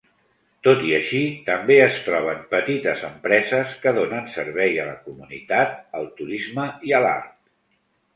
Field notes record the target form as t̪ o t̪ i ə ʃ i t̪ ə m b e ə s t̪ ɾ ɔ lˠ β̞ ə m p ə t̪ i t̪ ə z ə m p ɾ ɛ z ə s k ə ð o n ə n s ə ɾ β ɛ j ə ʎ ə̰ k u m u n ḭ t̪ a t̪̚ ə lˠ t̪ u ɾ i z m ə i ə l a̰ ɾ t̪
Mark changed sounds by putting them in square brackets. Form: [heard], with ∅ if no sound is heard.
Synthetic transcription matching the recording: t̪ o t̪ i ə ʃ i t̪ ə m b e ə s t̪ ɾ ɔ [∅] β̞ ə m p ə t̪ i t̪ ə z ə m p ɾ ɛ z ə s k ə ð o n ə n s ə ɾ β ɛ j ə [l] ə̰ k u m u n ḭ t̪ a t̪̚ ə lˠ t̪ u ɾ i z m ə i ə l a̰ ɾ t̪